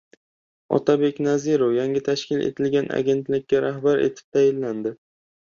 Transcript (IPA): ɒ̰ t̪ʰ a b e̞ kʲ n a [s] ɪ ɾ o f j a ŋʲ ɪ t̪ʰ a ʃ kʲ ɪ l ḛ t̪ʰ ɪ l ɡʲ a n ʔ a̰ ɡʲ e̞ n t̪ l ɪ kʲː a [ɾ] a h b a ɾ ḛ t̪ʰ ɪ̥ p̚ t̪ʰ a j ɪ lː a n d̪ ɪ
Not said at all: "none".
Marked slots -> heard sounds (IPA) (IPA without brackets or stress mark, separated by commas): z, ɾ